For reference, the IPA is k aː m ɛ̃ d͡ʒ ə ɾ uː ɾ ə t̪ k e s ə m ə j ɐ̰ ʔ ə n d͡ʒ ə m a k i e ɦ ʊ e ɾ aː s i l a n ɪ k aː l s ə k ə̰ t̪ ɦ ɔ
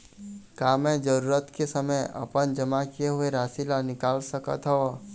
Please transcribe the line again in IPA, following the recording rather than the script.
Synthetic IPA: k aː m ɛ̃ d͡ʒ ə ɾ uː ɾ ə t̪ k e s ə m ə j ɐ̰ p ə n d͡ʒ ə m a k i e ɦ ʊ e ɾ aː s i l a n ɪ k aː l s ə k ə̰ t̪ ɦ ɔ